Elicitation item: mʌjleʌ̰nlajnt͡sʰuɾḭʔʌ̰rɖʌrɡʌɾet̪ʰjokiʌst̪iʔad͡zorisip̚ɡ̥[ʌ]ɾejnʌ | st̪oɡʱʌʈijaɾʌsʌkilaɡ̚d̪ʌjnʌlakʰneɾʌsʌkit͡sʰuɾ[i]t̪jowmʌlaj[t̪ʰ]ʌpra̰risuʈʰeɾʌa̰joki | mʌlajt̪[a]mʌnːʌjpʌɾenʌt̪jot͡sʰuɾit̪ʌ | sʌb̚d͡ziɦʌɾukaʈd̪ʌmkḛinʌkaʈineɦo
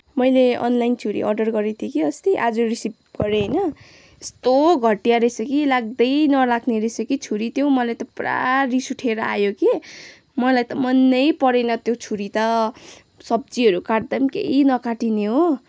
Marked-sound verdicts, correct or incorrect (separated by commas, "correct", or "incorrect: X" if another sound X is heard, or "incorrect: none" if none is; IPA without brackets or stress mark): correct, correct, incorrect: t̪, incorrect: ʌ